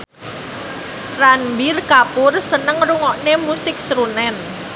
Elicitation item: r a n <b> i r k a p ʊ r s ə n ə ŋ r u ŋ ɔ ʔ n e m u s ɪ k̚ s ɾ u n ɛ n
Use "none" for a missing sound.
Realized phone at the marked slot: b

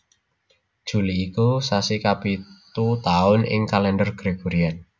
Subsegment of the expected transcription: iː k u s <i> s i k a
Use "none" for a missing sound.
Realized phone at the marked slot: a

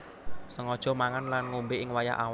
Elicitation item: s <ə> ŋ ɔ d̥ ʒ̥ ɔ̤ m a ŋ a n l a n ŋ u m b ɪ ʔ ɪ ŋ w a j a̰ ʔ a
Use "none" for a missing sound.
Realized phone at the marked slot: ə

